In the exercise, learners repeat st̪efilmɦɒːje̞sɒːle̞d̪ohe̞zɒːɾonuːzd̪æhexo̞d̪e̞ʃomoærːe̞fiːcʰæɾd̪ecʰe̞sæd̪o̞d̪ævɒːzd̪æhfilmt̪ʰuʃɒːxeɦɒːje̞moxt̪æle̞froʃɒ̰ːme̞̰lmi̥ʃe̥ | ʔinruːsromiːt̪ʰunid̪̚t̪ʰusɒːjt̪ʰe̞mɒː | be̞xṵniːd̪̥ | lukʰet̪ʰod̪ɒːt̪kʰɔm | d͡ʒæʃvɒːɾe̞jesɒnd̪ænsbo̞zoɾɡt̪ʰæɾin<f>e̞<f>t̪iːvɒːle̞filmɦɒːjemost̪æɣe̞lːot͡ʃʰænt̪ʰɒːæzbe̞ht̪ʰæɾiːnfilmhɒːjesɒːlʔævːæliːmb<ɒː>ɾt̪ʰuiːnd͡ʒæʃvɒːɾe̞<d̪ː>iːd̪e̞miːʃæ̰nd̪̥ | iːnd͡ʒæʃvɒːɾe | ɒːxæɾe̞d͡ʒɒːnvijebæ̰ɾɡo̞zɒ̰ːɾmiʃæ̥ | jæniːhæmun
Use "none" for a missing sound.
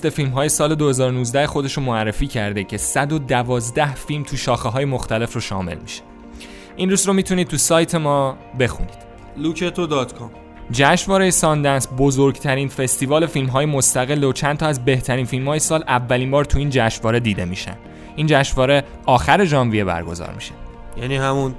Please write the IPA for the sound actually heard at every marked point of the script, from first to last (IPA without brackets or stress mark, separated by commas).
f, s, ɒː, d̪